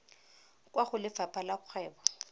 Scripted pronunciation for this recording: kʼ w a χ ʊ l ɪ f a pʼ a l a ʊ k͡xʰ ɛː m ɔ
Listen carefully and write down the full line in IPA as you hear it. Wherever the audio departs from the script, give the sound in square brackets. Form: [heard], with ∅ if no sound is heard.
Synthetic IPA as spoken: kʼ w a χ ʊ l ɪ f a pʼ a l a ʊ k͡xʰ ɛː [b] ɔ